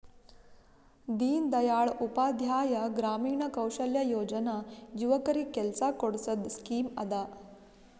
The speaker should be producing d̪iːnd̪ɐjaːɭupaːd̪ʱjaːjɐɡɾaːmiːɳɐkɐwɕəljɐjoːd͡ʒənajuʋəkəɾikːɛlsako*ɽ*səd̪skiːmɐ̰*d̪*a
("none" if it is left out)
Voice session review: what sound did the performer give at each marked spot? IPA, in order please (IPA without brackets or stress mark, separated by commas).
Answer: ɽ, d̪